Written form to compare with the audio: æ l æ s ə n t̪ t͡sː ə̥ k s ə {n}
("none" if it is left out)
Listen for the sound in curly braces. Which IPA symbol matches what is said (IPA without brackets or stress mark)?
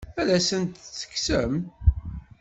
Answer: m